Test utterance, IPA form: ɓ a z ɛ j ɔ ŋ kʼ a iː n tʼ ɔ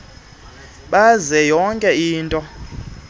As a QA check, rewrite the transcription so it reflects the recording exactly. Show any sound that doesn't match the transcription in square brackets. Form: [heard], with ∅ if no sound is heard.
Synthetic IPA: ɓ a z ɛ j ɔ ŋ kʼ [ɛ] iː n tʼ ɔ